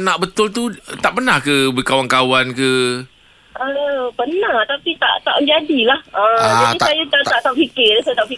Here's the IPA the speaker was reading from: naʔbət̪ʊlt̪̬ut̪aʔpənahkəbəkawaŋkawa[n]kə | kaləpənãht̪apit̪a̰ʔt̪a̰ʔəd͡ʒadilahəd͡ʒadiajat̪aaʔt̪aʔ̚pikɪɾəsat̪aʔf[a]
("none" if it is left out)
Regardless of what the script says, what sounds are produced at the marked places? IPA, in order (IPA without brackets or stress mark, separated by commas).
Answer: n, i